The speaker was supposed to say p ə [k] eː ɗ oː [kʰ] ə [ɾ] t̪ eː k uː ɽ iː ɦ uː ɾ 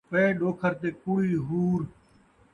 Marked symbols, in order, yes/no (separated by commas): no, yes, yes